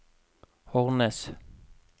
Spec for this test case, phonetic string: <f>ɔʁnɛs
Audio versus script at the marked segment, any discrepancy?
yes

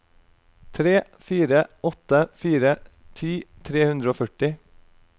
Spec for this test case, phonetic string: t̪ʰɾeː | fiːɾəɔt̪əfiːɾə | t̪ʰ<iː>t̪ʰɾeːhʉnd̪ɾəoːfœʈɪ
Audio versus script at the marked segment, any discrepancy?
no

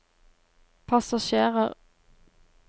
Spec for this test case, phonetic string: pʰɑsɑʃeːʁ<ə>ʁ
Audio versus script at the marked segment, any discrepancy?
no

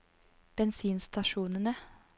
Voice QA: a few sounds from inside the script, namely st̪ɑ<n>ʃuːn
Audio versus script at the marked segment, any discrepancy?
yes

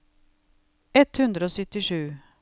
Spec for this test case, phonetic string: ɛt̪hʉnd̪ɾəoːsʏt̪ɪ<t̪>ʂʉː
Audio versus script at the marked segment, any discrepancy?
yes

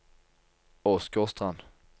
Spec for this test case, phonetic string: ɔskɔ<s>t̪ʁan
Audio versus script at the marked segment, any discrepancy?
no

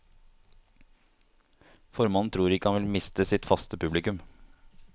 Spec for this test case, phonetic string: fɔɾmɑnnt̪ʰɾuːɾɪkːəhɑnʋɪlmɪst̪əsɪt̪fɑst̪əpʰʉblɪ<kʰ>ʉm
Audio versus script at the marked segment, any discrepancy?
yes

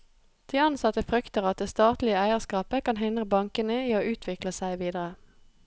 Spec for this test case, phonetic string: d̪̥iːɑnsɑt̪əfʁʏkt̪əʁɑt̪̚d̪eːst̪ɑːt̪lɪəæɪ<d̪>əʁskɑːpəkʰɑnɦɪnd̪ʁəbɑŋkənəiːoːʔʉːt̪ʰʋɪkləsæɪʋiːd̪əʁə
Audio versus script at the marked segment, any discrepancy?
yes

